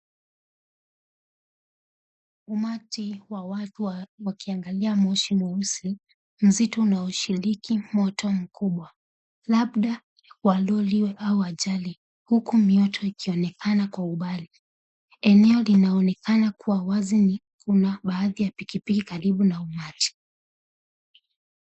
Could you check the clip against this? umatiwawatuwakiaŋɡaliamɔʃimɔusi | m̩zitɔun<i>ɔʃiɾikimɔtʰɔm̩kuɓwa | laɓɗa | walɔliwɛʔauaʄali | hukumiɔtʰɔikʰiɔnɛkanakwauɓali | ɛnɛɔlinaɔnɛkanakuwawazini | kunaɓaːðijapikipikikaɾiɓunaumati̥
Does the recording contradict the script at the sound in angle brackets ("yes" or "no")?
yes